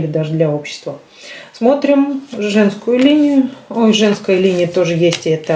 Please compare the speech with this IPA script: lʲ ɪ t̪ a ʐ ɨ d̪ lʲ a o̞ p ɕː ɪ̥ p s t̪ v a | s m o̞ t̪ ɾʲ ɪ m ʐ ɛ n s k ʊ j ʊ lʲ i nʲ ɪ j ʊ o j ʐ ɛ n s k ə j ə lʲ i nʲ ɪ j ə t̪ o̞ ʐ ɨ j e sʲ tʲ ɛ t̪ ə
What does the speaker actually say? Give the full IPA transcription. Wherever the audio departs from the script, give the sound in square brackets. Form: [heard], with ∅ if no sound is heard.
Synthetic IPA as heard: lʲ ɪ [d̪] a ʐ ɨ d̪ lʲ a o̞ p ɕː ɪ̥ [∅] s t̪ v [ə] | s m o̞ t̪ ɾʲ ɪ m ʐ ɛ n s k ʊ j ʊ lʲ i nʲ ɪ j ʊ o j ʐ ɛ n s k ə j ə lʲ i nʲ ɪ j ə t̪ o̞ ʐ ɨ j e sʲ tʲ ɛ t̪ ə